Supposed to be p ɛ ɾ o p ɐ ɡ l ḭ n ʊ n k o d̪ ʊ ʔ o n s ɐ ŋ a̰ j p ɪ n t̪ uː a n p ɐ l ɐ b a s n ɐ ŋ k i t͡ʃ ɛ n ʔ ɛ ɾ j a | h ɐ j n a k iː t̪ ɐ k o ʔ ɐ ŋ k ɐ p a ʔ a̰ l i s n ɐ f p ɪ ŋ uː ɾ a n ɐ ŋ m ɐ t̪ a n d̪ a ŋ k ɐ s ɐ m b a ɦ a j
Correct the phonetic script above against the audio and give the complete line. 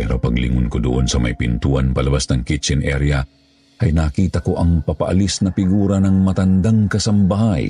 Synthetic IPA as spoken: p ɛ ɾ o p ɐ ɡ l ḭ ŋ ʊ n k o d̪ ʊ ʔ o n s ɐ m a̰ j p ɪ n t̪ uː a n p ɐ l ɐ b a s n ɐ ŋ k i t͡ʃ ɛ n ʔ ɛ ɾ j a | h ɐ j n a k iː t̪ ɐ k o ʔ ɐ ŋ p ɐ p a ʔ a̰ l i s n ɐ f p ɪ ɡ uː ɾ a n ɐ ŋ m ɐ t̪ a n d̪ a ŋ k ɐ s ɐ m b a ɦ a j